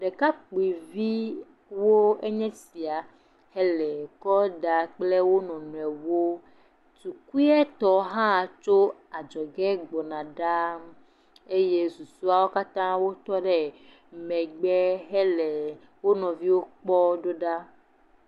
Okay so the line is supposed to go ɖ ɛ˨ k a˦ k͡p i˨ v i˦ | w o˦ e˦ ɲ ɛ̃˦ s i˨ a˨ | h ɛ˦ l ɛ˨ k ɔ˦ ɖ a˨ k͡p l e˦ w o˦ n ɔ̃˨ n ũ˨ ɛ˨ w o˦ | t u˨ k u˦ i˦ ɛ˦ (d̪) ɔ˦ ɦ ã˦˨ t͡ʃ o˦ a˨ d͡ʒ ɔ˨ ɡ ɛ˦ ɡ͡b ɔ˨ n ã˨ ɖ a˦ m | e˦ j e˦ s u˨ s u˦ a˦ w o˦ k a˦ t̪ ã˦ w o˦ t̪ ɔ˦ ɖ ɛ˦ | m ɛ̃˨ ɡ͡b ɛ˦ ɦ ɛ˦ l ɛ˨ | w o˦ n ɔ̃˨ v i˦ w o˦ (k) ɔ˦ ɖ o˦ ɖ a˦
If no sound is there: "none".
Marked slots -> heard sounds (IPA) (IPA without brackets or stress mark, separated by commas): t̪, k͡p